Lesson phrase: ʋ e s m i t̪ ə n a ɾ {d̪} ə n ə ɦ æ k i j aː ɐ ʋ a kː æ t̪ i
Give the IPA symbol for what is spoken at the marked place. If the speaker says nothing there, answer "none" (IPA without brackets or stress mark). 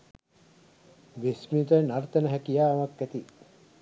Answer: t̪